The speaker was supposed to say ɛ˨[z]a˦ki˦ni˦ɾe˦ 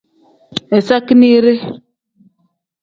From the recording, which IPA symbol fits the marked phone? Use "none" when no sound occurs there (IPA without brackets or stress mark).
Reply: s